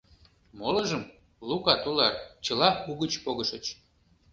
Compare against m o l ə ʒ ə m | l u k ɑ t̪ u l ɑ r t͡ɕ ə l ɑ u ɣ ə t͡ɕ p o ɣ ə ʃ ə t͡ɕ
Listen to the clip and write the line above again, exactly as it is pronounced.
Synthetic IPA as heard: m o l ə ʒ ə m | l u k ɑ t̪ u l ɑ r t͡ɕ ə l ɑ u ɣ ə t͡ɕ p o ɣ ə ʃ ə t͡ɕ